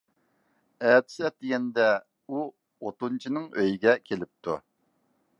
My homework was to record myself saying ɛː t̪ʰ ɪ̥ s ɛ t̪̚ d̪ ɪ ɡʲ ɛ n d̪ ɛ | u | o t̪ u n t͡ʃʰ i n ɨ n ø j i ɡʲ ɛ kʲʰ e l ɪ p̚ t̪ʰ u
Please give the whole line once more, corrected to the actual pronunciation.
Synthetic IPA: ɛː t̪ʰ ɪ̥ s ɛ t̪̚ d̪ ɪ ɡʲ ɛ n d̪ ɛ | u | o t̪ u n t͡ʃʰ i n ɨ ŋ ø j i ɡʲ ɛ kʲʰ e l ɪ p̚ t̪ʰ u